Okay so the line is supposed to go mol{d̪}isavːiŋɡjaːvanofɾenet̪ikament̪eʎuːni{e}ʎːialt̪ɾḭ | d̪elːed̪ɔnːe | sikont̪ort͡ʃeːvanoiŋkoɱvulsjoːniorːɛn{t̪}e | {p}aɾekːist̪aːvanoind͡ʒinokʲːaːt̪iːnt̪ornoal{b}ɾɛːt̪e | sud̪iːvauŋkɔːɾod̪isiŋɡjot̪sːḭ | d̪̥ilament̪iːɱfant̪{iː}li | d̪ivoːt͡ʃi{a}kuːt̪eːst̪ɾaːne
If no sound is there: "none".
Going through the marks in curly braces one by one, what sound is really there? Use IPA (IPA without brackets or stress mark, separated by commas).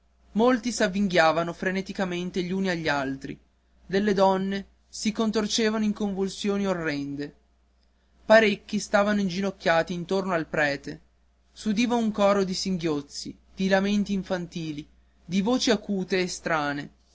t̪, a, d̪, p, p, iː, a